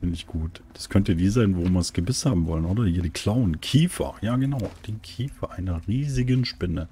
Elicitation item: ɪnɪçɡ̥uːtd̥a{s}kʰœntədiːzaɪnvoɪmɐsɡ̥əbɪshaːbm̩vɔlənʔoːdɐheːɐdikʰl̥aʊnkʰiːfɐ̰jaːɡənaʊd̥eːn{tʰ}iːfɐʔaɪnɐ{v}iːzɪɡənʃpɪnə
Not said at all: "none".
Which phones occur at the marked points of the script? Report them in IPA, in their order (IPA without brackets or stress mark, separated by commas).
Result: s, kʰ, ʁ